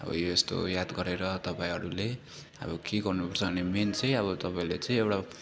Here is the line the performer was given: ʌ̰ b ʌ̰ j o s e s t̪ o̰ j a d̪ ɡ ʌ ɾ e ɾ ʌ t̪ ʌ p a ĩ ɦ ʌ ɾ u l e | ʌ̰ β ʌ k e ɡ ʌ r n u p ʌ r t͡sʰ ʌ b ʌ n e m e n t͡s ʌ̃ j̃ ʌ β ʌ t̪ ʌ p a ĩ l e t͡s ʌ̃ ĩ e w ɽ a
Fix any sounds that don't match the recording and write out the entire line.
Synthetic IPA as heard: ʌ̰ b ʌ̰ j o e s t̪ o̰ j a d̪ ɡ ʌ ɾ e ɾ ʌ t̪ ʌ p a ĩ ɦ ʌ ɾ u l e | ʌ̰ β ʌ k e ɡ ʌ r n u p ʌ r t͡sʰ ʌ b ʌ n e m e n t͡s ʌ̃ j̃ ʌ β ʌ t̪ ʌ p a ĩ l e t͡s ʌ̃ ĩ e w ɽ a